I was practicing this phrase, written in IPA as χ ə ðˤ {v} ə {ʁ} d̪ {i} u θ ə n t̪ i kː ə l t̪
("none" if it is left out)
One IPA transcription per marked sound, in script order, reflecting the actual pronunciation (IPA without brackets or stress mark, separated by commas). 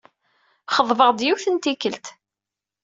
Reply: v, ʁ, j